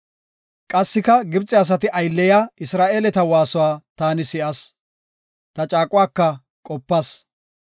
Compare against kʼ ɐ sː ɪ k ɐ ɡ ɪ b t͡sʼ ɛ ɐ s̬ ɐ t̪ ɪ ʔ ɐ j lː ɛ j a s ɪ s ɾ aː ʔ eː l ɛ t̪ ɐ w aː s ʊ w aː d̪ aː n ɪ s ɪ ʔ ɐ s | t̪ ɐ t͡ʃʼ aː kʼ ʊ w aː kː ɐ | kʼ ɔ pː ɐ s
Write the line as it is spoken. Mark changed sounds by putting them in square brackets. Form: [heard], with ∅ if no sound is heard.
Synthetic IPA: kʼ ɐ sː ɪ k ɐ ɡ ɪ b t͡sʼ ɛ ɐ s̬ ɐ t̪ ɪ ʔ ɐ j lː ɛ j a [∅] ɪ s ɾ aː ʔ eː l ɛ t̪ ɐ w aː s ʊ w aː [t̪] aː n ɪ s ɪ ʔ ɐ s | t̪ ɐ t͡ʃʼ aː kʼ ʊ w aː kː ɐ | kʼ ɔ pː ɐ s